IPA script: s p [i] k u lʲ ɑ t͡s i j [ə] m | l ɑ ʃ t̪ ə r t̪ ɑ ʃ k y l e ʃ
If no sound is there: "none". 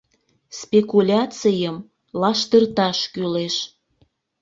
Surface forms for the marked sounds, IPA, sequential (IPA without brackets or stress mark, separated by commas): e, ə